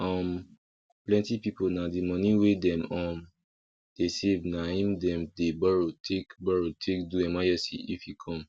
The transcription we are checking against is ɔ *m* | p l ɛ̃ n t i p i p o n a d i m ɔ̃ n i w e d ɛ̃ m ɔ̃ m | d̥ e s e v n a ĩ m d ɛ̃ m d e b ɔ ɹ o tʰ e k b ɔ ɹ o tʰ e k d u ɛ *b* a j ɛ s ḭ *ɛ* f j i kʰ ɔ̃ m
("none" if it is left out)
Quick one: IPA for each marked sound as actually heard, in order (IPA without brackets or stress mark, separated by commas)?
m, m, i